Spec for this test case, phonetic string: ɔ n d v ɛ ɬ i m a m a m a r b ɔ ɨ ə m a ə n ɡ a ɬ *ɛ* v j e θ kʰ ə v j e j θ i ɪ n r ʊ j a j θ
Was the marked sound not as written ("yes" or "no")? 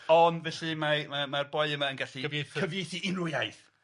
yes